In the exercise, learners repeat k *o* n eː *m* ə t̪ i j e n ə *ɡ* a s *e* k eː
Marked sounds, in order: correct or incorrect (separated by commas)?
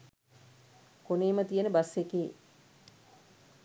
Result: correct, correct, incorrect, correct